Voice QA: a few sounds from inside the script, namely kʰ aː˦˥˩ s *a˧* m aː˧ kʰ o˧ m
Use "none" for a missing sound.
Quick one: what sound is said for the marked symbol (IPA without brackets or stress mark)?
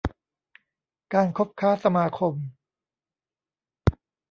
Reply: a˧